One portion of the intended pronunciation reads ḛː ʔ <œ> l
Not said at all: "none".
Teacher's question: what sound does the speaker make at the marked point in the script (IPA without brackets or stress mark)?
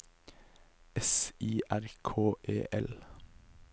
ɛ